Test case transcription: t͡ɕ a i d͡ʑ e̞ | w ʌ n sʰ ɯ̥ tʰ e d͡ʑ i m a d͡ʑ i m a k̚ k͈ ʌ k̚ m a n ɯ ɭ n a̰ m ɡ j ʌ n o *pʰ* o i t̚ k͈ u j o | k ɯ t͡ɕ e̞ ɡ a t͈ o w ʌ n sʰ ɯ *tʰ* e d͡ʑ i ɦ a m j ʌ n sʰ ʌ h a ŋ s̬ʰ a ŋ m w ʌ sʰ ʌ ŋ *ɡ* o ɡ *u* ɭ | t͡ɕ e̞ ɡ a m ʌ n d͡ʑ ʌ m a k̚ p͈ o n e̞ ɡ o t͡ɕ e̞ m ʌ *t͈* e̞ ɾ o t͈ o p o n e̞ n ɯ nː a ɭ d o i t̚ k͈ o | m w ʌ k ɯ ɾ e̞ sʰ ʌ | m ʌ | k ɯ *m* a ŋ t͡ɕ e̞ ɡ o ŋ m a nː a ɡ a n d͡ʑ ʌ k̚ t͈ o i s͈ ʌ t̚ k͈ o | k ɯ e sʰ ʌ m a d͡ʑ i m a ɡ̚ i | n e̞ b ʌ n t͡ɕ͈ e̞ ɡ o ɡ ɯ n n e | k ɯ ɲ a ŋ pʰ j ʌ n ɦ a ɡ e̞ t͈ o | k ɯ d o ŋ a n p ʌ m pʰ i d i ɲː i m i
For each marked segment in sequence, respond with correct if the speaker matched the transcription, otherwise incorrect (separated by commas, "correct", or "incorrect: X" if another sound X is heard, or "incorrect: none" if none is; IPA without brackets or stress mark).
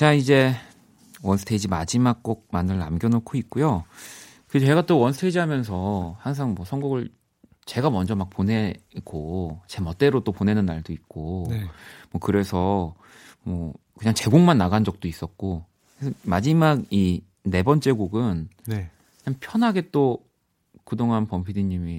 incorrect: kʰ, correct, correct, incorrect: ɯ, correct, incorrect: ɲ